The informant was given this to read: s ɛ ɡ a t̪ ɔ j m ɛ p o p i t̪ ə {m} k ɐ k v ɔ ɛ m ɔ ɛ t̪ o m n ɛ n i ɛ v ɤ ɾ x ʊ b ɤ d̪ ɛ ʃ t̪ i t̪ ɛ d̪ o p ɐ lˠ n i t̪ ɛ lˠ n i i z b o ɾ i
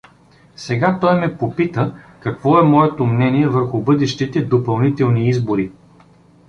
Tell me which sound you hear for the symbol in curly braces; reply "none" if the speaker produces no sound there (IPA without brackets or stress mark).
none